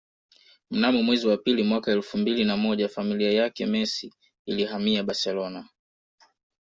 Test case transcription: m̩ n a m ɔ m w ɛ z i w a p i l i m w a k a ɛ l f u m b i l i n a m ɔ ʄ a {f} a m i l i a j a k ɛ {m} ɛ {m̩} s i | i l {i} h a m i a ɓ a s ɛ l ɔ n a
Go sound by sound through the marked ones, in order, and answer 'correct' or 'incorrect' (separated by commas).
correct, correct, incorrect, correct